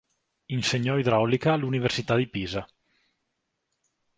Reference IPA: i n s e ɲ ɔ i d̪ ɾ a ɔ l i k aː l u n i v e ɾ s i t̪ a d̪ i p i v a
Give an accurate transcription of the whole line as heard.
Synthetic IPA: i n s e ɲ ɔ i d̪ ɾ a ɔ l i k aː l u n i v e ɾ s i t̪ a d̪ i p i z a